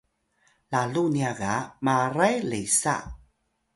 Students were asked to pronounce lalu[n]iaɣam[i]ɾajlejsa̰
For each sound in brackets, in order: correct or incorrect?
correct, incorrect: a

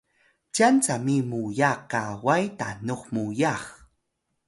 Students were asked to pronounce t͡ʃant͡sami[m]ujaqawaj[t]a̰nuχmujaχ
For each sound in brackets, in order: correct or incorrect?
correct, correct

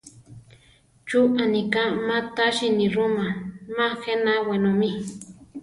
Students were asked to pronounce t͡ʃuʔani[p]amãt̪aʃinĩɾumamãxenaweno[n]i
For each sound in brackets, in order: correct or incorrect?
incorrect: k, incorrect: m

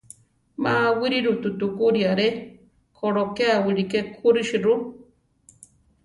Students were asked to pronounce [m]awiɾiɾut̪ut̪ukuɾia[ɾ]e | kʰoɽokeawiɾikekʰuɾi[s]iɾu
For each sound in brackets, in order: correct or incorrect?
correct, correct, incorrect: ʃ

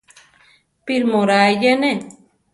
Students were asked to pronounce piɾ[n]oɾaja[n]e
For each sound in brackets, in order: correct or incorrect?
incorrect: m, correct

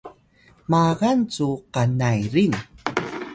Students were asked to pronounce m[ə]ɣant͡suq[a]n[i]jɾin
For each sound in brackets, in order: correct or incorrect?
incorrect: a, correct, incorrect: a

